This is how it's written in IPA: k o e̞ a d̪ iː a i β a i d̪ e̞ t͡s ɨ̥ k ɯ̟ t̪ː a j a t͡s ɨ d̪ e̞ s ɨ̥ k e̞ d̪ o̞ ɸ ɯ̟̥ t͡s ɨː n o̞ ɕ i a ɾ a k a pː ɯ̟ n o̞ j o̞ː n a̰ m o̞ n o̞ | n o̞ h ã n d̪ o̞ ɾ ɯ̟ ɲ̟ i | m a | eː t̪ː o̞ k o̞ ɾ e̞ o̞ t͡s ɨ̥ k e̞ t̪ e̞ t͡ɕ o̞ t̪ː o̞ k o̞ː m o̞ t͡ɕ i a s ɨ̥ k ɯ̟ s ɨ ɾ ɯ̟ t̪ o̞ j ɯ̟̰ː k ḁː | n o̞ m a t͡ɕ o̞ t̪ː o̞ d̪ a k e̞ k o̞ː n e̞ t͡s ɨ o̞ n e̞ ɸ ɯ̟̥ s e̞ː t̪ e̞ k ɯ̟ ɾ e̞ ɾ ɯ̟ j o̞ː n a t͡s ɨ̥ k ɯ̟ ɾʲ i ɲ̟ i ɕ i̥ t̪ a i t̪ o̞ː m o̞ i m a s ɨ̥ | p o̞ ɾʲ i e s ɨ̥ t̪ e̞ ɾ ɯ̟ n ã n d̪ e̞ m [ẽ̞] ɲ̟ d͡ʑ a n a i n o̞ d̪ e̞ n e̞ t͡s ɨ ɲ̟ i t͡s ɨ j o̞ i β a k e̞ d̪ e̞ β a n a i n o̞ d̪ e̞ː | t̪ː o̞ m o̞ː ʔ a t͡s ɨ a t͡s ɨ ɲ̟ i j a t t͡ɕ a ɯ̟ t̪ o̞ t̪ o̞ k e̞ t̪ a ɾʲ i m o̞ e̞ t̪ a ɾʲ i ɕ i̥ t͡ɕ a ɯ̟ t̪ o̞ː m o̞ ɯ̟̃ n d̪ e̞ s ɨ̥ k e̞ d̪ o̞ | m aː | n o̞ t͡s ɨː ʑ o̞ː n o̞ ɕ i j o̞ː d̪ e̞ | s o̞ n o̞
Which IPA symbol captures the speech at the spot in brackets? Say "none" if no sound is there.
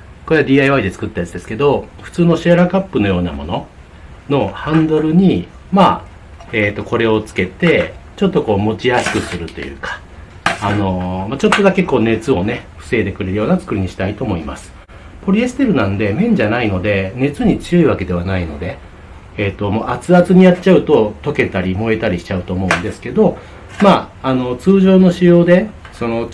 ẽ̞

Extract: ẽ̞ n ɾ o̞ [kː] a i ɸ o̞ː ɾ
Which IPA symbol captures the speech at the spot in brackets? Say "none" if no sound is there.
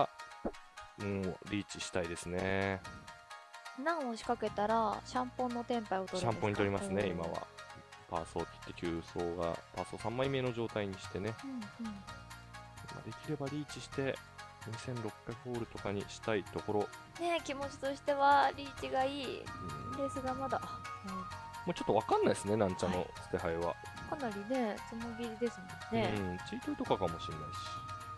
kː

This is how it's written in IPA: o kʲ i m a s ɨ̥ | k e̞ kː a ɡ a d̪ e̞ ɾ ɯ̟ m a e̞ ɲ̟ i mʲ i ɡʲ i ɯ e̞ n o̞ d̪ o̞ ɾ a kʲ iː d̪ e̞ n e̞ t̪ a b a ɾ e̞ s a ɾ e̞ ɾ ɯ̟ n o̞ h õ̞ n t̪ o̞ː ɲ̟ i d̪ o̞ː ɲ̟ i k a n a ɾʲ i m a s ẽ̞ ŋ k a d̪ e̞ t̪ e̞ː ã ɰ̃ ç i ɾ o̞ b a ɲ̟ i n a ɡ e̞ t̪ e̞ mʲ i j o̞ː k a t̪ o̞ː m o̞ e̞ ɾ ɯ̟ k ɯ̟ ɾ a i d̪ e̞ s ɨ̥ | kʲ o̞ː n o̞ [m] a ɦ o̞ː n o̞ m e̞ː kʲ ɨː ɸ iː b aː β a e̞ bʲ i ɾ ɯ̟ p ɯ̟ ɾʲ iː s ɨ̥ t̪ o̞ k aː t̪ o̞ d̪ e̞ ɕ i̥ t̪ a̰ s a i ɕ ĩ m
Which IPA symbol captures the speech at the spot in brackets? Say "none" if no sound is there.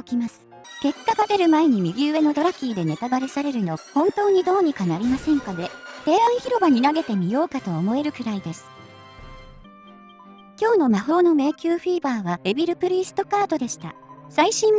m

